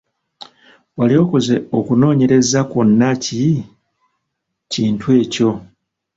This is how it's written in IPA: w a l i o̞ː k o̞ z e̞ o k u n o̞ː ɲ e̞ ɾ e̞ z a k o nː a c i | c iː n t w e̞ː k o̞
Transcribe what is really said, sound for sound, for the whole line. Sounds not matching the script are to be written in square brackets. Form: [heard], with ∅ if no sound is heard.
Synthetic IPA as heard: w a l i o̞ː k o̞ z e̞ o k u n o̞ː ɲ e̞ ɾ e̞ z a k o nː a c i | c iː n t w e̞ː [c] o̞